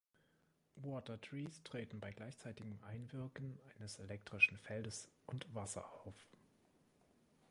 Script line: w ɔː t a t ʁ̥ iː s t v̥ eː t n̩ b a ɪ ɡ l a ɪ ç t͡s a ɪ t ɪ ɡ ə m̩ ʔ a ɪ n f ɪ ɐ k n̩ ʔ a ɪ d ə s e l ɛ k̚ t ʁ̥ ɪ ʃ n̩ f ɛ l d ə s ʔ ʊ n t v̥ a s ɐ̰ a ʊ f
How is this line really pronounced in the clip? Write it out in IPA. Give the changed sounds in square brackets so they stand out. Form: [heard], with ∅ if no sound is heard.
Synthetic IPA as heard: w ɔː t [ɐ] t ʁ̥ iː s t [ʁ̥] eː t n̩ b a ɪ ɡ l a ɪ ç t͡s a ɪ t ɪ ɡ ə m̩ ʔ a ɪ n [v] ɪ ɐ k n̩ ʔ a ɪ [n] ə s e l ɛ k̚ t ʁ̥ ɪ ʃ n̩ f ɛ l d ə s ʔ ʊ n t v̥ a s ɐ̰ a ʊ f